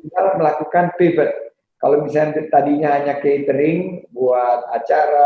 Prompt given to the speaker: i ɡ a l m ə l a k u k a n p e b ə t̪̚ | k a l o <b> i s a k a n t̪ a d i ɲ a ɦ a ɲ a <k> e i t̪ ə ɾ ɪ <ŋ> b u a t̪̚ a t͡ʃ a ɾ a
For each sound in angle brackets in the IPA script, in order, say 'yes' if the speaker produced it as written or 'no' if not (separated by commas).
no, yes, yes